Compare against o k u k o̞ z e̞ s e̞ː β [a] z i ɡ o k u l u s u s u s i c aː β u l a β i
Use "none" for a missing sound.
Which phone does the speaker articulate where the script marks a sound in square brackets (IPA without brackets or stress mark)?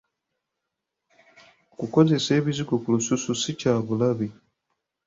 i